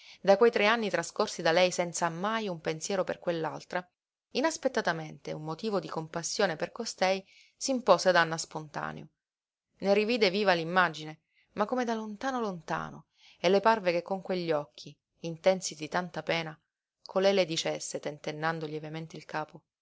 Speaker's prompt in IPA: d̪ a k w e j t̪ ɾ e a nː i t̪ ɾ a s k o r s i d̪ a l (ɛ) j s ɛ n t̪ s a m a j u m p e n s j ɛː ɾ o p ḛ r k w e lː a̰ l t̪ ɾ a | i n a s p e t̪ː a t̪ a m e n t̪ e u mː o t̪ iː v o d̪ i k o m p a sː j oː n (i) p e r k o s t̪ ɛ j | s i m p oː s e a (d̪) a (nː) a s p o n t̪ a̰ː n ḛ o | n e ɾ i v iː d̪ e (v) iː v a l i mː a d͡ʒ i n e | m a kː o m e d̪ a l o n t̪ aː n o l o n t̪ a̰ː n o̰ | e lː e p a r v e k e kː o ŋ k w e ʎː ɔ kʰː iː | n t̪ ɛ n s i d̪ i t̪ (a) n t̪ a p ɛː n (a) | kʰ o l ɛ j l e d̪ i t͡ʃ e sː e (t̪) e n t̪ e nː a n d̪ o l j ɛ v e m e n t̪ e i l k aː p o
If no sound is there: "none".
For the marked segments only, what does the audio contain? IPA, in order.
ɛ, e, d̪, nː, v, a, a, t̪

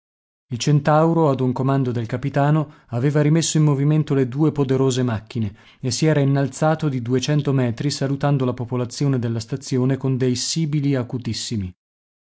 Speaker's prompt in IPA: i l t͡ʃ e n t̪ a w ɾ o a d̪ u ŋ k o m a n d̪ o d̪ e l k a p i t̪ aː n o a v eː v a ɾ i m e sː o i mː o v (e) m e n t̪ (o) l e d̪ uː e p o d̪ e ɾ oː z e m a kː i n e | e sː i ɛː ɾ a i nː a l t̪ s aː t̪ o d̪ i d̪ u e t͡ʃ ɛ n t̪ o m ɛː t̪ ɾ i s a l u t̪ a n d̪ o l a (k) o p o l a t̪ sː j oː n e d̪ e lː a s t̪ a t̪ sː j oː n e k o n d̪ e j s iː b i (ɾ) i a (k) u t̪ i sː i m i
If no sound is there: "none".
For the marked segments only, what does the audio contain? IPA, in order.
i, o, p, l, k

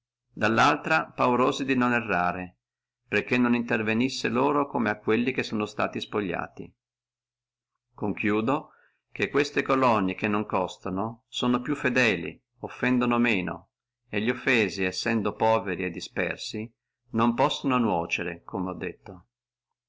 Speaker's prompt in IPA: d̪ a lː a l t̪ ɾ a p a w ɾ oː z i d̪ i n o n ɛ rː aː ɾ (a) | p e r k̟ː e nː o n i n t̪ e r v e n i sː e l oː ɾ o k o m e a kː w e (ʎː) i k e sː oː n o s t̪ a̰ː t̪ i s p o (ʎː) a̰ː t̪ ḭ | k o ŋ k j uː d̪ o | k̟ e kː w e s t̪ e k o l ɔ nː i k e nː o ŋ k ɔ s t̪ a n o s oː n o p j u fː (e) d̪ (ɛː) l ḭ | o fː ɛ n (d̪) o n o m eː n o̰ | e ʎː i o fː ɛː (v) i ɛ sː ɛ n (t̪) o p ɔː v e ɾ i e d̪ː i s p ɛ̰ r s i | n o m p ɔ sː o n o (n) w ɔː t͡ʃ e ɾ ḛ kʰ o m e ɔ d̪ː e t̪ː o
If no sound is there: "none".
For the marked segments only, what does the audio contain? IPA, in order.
e, lː, ʎː, e, ɛː, d̪, z, d̪, n

